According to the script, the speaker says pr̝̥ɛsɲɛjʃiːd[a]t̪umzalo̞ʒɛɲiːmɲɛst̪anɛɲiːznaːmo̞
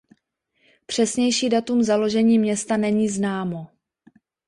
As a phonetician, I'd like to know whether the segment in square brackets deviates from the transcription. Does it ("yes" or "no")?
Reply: no